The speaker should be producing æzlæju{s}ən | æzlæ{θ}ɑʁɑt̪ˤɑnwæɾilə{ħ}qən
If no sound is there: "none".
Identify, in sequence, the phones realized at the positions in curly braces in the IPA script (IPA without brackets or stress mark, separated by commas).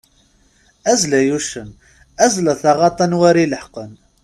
ʃ, θ, ħ